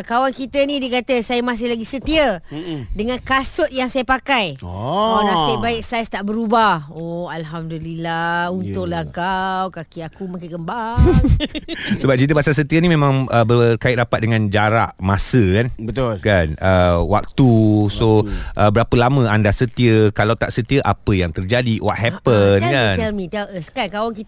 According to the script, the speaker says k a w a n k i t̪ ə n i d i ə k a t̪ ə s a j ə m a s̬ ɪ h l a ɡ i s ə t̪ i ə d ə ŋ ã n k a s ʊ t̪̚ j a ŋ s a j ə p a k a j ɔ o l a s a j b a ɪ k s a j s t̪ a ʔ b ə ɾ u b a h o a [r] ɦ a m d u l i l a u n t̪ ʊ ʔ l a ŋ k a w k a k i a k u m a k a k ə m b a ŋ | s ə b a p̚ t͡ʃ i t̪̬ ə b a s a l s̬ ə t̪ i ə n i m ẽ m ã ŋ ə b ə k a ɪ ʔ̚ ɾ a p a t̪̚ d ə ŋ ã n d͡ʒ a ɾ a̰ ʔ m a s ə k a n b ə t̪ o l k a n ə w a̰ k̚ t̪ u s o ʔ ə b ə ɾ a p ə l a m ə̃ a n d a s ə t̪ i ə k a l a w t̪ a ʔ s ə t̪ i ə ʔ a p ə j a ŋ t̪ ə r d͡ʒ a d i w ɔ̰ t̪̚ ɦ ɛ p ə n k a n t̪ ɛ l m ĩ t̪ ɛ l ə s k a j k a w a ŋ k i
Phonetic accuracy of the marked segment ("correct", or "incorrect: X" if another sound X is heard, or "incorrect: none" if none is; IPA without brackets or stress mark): incorrect: l